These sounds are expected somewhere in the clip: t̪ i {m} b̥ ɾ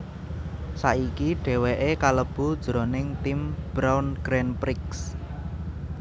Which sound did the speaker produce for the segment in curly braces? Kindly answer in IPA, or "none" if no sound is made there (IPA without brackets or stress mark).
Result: m